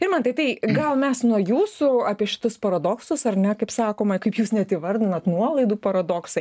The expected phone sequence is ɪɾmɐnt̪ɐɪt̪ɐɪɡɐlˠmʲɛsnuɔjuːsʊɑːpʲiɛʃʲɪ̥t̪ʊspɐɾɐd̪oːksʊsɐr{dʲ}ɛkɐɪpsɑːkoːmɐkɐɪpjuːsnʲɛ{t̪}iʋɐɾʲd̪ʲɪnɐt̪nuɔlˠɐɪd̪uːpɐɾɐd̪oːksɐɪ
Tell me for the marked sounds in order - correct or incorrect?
incorrect, correct

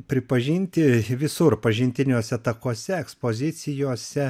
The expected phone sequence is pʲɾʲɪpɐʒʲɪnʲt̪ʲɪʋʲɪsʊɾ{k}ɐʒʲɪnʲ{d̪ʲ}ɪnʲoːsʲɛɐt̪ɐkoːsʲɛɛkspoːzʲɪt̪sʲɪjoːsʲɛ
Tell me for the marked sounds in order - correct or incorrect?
incorrect, incorrect

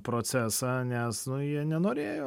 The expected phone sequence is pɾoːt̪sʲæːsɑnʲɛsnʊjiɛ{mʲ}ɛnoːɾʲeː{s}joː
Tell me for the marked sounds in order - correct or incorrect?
incorrect, incorrect

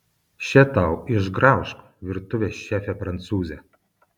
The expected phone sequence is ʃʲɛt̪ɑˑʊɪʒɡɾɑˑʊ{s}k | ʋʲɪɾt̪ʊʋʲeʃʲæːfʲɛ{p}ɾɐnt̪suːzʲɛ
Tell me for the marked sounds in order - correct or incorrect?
incorrect, correct

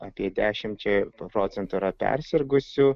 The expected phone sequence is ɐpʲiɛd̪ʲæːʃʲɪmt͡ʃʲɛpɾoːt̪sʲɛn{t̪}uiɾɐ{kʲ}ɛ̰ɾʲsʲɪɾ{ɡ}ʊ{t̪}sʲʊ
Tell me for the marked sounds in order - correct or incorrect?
correct, incorrect, correct, incorrect

